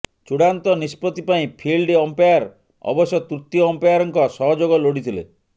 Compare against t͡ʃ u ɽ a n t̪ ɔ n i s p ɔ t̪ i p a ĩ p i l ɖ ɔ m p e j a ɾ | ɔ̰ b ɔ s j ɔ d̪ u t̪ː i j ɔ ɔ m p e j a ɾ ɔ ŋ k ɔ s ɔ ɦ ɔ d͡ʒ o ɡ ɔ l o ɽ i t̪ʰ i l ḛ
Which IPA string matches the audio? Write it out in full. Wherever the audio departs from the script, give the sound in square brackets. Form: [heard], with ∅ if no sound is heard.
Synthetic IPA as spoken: t͡ʃ u ɽ a n t̪ ɔ n i s p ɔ t̪ i p a ĩ [pʰ] i l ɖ ɔ m p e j a ɾ | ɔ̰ b ɔ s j ɔ [t̪] u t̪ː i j ɔ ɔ m p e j a ɾ ɔ ŋ k ɔ s ɔ ɦ ɔ d͡ʒ o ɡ ɔ l o ɽ i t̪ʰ i l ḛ